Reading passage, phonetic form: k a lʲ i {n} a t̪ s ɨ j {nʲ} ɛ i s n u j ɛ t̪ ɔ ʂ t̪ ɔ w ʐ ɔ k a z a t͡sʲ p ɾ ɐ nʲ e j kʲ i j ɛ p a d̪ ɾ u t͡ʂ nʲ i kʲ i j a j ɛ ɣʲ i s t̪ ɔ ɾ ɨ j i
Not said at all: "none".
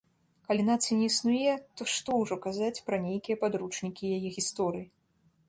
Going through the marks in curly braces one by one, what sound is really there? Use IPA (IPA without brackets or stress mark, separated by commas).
n, nʲ